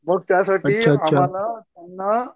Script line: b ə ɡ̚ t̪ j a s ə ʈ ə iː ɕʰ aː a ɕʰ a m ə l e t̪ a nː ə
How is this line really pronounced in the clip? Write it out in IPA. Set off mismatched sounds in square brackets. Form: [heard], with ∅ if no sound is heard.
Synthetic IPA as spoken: b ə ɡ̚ t̪ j a s [a] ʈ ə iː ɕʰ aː a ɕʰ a m [a] l [a] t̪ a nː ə